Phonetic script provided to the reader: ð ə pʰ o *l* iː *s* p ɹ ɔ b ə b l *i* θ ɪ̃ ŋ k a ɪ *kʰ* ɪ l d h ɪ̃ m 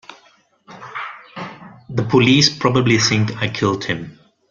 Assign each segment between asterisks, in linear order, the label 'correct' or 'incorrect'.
correct, correct, correct, correct

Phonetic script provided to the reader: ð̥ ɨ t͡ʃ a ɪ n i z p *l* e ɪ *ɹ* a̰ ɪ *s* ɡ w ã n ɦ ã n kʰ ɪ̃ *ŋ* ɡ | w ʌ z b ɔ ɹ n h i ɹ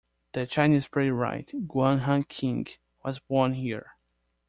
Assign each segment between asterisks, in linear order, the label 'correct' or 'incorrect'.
incorrect: ɹ, correct, incorrect: t, correct

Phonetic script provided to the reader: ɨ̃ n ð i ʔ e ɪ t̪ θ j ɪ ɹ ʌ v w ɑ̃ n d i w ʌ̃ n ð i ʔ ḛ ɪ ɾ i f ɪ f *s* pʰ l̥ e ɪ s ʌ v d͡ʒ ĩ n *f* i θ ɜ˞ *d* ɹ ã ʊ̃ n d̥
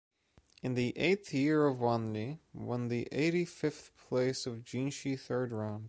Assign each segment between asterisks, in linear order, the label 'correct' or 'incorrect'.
incorrect: θ, incorrect: ʃ, correct

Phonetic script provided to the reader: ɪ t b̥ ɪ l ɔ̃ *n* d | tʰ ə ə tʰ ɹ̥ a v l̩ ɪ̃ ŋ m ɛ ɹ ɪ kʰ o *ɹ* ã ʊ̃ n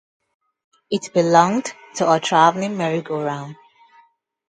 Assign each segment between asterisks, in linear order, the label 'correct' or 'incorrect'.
incorrect: ŋ, correct

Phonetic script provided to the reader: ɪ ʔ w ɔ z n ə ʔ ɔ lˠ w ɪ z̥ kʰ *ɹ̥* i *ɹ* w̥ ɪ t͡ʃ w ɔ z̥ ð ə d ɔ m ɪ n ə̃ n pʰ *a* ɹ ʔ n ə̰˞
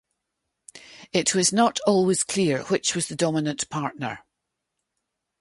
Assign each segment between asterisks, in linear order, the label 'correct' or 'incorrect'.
incorrect: l̥, correct, correct

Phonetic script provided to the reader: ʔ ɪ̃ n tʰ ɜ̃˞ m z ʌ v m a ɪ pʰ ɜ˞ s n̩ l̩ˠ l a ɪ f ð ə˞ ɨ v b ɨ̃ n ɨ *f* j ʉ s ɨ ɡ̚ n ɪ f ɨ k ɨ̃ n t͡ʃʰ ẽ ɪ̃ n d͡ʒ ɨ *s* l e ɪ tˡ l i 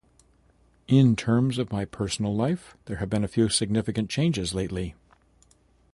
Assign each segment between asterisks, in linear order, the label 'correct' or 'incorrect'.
correct, incorrect: z

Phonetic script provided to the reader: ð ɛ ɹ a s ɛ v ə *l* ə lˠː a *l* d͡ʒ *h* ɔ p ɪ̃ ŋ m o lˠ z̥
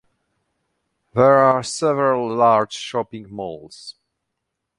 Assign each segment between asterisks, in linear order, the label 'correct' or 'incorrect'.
incorrect: ɹ, incorrect: ɹ, incorrect: ʃ

